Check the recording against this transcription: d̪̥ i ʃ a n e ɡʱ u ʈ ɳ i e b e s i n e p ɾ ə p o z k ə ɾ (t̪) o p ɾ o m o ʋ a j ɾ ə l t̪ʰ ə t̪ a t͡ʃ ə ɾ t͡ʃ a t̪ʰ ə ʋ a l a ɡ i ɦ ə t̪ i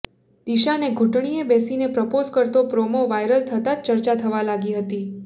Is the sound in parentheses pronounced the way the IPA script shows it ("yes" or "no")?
yes